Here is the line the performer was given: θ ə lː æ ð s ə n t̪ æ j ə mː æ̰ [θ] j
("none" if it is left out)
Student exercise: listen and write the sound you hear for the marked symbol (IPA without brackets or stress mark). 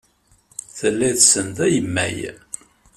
none